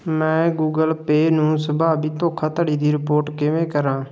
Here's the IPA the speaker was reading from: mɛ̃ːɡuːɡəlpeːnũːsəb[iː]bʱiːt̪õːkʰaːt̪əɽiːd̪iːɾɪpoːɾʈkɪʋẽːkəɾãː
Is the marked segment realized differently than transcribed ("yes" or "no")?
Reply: yes